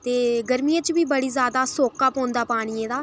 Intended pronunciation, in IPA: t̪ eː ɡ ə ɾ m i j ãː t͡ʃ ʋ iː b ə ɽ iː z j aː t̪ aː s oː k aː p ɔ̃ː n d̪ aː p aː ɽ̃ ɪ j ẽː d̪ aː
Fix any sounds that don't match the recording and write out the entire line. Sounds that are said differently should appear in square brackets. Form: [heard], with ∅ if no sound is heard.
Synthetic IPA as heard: t̪ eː ɡ ə ɾ m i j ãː t͡ʃ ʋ iː b ə ɽ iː z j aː [d̪] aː s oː k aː p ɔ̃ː n d̪ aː p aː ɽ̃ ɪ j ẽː d̪ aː